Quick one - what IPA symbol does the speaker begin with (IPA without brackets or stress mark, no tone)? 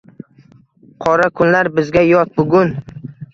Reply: qʰ